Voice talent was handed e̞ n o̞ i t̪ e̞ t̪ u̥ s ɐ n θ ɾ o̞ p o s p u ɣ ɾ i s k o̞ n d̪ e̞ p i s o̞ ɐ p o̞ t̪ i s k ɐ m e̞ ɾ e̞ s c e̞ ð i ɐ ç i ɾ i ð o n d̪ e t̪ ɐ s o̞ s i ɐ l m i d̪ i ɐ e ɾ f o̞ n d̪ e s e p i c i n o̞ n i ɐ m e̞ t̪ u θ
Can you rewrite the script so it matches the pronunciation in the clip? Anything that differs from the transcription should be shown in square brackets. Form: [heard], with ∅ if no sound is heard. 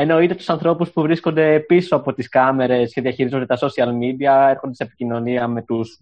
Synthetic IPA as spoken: e̞ n o̞ i t̪ e̞ t̪ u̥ s ɐ n θ ɾ o̞ p [u] s p u [v] ɾ i s k o̞ n d̪ e̞ p i s o̞ ɐ p o̞ t̪ i s k ɐ m e̞ ɾ e̞ s c e̞ ð i ɐ ç i ɾ i [z] o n d̪ e t̪ ɐ s o̞ s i ɐ l m i d̪ i ɐ e ɾ [x] o̞ n d̪ e s e p i c i n o̞ n i ɐ m e̞ t̪ u [s]